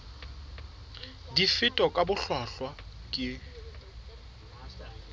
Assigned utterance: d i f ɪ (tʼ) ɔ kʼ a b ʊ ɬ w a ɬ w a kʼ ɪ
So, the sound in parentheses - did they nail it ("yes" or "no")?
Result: yes